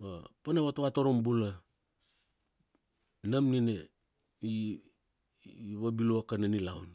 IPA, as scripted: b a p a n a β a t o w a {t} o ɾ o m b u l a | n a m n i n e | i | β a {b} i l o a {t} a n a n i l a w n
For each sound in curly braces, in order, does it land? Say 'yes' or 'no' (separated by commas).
yes, yes, no